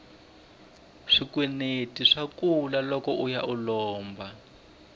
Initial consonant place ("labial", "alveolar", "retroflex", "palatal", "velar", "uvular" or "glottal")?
retroflex